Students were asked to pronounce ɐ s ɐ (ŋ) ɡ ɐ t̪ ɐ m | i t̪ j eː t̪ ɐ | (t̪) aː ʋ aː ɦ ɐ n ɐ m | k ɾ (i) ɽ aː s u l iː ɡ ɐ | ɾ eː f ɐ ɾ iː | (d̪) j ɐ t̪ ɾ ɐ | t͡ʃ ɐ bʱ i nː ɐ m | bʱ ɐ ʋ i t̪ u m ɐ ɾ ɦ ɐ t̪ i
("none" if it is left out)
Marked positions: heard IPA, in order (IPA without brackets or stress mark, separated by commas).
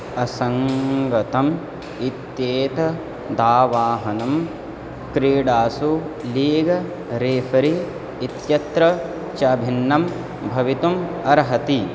ŋ, d̪, iː, t̪